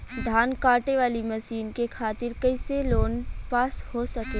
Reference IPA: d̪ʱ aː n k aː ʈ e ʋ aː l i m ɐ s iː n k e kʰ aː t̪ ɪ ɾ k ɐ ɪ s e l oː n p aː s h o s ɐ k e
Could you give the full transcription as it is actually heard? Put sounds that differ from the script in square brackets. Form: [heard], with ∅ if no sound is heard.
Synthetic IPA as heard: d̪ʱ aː n k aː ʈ e ʋ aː l i m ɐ s iː n k e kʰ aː t̪ ɪ ɾ k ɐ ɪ s e l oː n p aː s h o s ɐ k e